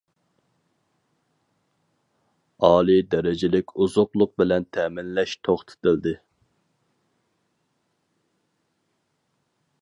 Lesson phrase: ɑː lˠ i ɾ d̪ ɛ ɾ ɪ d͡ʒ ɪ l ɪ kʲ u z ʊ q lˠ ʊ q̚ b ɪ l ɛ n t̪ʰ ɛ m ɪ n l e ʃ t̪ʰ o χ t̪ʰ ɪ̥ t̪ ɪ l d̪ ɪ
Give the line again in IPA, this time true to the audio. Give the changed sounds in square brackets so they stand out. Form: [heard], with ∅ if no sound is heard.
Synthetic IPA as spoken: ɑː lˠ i [∅] d̪ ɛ ɾ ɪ d͡ʒ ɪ l ɪ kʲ u z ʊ q lˠ ʊ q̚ b ɪ l ɛ n t̪ʰ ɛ m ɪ n l [ɛ] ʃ t̪ʰ o χ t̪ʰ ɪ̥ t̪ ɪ l d̪ ɪ